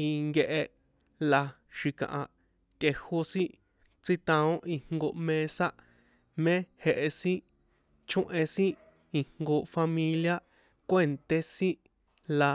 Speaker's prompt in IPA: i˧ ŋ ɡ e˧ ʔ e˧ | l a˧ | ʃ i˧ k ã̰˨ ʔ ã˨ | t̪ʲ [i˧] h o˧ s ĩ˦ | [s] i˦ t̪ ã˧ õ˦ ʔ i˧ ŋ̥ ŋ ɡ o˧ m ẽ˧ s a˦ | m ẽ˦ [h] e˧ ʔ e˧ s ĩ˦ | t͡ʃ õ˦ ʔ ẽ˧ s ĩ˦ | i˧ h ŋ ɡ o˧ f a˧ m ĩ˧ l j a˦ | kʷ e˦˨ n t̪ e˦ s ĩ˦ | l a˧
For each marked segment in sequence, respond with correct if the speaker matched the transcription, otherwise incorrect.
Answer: incorrect: e˧, incorrect: t͡s, correct

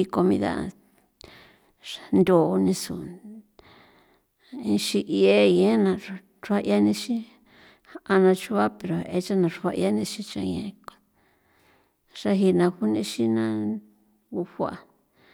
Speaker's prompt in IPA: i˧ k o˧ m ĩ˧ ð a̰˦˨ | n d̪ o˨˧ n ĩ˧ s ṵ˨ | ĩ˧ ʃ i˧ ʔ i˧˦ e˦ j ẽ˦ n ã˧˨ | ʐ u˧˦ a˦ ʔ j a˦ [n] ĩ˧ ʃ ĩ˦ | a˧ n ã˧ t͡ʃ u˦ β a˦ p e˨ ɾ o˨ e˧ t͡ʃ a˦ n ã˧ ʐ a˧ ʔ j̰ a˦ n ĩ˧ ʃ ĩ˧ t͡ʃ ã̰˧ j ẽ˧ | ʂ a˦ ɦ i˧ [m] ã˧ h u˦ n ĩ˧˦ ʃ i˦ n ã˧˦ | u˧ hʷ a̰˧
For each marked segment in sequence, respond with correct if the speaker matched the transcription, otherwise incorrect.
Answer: correct, incorrect: n

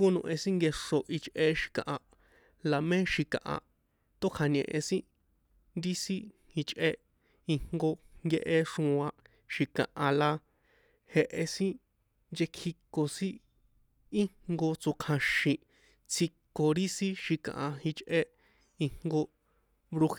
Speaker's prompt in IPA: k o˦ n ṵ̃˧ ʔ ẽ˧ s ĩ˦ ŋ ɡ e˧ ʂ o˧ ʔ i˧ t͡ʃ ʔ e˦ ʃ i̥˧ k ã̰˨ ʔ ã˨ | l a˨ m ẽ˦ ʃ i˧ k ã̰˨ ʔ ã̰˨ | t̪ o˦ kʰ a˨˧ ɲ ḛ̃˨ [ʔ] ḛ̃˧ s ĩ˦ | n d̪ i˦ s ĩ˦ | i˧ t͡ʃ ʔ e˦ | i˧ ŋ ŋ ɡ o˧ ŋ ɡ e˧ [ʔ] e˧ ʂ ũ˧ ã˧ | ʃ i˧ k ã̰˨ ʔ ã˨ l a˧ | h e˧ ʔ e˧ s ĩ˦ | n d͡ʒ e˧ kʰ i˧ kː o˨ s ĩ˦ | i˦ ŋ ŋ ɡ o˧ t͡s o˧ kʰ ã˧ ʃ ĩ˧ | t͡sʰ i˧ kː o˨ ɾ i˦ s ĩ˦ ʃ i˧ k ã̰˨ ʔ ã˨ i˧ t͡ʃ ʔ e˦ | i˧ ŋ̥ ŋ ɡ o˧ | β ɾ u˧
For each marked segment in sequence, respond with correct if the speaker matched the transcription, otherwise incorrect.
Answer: correct, correct

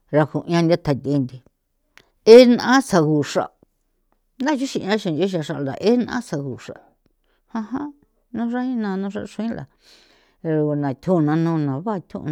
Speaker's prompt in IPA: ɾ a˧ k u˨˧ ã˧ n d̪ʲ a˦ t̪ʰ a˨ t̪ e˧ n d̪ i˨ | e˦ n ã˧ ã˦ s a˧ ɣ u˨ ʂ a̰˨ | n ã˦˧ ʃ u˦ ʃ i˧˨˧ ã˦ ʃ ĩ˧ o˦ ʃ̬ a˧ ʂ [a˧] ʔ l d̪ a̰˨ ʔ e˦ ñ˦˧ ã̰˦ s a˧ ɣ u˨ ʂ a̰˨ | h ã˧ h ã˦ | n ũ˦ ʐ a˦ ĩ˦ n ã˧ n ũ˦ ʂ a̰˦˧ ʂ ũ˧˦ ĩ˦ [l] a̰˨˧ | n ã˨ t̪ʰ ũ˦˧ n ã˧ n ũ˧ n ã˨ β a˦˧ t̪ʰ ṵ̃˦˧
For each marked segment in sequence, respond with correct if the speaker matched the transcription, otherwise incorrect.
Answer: correct, correct

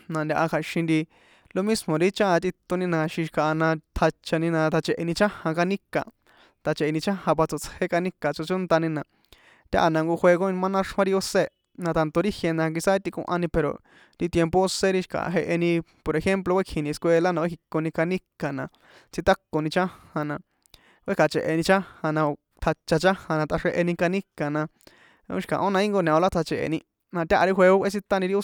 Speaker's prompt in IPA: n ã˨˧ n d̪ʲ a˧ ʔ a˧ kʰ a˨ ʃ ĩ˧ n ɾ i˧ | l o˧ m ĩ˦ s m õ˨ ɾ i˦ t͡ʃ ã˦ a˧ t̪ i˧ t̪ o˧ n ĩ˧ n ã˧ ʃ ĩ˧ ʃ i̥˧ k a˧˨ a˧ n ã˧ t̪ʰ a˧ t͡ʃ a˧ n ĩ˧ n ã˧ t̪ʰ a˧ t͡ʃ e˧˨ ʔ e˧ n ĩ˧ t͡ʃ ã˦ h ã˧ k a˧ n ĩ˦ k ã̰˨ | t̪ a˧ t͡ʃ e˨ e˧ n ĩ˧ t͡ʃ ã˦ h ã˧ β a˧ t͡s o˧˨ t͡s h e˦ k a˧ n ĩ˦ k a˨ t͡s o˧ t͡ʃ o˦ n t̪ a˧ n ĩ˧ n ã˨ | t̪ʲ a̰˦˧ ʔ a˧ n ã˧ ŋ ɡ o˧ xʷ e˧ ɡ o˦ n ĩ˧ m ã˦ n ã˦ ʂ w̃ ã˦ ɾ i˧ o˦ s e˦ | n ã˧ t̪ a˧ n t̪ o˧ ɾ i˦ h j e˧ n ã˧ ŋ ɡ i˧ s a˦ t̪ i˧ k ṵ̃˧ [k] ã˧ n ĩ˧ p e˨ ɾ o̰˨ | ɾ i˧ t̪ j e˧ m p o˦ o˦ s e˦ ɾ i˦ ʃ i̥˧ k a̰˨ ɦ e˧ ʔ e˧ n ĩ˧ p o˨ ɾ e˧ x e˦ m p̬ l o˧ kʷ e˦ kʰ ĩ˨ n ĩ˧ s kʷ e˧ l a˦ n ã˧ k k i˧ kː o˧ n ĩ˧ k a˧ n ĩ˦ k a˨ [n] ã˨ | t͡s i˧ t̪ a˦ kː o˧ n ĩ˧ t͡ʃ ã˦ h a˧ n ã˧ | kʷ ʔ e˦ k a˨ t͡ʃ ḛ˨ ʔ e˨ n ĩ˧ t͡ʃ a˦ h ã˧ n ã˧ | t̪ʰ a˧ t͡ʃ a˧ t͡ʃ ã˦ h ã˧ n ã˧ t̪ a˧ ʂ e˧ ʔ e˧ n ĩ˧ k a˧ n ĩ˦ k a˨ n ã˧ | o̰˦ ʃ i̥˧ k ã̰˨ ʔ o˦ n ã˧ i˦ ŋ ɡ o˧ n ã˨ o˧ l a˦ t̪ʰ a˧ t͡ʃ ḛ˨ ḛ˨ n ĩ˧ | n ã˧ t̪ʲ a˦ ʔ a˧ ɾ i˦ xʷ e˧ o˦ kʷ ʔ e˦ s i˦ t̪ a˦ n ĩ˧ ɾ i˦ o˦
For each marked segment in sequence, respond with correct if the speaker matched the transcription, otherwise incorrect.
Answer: incorrect: ʔ, correct

